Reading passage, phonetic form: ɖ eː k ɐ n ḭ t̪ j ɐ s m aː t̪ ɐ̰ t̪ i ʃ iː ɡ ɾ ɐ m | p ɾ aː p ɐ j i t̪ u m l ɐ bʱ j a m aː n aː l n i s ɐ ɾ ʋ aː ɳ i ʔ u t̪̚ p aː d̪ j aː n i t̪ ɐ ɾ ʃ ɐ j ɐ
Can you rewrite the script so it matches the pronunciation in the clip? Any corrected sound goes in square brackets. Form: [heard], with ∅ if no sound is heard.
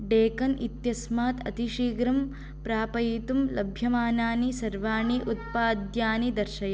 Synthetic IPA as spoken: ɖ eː k ɐ n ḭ t̪ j ɐ s m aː t̪ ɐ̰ t̪ i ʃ iː ɡ ɾ ɐ m | p ɾ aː p ɐ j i t̪ u m l ɐ bʱ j [ɐ] m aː n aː [∅] n i s ɐ ɾ ʋ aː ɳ i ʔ u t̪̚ p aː d̪ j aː n i [d̪] ɐ ɾ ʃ ɐ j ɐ

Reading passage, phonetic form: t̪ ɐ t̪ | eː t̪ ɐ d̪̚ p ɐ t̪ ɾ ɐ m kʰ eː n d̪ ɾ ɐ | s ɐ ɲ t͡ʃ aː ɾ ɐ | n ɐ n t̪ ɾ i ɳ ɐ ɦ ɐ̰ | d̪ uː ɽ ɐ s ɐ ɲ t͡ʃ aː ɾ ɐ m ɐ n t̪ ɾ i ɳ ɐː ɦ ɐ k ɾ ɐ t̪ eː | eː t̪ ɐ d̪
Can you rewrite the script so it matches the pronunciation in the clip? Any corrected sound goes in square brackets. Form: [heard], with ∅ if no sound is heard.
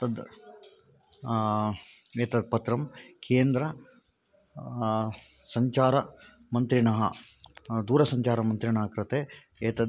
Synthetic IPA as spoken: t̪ ɐ [d̪] | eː t̪ ɐ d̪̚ p ɐ t̪ ɾ ɐ m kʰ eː n d̪ ɾ ɐ | s ɐ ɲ t͡ʃ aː ɾ ɐ | [m] ɐ n t̪ ɾ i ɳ ɐ ɦ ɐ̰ | d̪ uː [ɾ] ɐ s ɐ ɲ t͡ʃ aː ɾ ɐ m ɐ n t̪ ɾ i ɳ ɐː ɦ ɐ k ɾ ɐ t̪ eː | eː t̪ ɐ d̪

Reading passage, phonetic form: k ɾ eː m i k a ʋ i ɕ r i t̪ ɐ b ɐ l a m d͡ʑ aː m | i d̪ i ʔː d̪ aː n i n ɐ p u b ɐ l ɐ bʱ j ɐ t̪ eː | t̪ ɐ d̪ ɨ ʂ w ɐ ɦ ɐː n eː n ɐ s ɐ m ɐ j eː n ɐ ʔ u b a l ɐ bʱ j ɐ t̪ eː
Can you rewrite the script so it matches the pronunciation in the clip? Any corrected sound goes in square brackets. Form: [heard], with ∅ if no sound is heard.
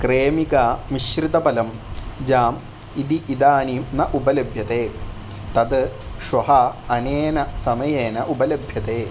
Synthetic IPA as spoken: k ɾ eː m i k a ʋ i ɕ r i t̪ ɐ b ɐ l [ɐ] m d͡ʑ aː m | i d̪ i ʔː d̪ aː n i n ɐ [ʔ] u b ɐ l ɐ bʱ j ɐ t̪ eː | t̪ ɐ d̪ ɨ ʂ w ɐ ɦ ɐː n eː n ɐ s ɐ m ɐ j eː n ɐ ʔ u b [ɐ] l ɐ bʱ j ɐ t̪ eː

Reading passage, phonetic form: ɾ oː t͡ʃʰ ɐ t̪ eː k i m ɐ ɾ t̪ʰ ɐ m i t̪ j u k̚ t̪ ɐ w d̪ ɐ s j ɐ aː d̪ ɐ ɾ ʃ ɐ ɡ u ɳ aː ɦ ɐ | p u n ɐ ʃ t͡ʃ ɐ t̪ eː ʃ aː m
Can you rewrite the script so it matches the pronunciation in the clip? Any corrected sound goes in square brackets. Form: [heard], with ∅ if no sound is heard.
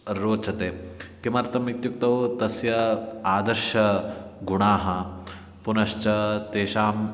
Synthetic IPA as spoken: ɾ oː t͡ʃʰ ɐ t̪ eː k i m ɐ ɾ [t̪] ɐ m i t̪ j u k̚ t̪ ɐ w [t̪] ɐ s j ɐ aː d̪ ɐ ɾ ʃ ɐ ɡ u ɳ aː ɦ ɐ | p u n ɐ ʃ t͡ʃ ɐ t̪ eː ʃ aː m

